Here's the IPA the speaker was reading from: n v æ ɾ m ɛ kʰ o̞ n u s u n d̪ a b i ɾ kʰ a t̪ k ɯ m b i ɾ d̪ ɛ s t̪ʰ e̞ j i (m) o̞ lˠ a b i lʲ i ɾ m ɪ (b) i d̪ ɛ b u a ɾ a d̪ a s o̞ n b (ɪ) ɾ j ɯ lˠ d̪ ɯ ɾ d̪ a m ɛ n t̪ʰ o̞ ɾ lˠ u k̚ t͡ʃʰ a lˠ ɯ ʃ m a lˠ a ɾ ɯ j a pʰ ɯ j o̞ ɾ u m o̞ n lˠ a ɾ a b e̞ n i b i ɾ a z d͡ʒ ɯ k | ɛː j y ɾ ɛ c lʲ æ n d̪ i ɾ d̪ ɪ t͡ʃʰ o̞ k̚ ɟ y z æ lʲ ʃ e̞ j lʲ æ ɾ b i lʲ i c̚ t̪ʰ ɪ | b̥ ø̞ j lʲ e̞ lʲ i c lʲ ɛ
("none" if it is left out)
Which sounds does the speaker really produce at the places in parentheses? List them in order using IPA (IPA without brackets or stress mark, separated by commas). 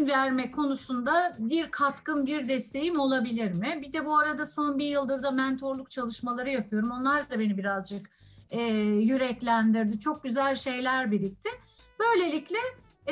m, b, i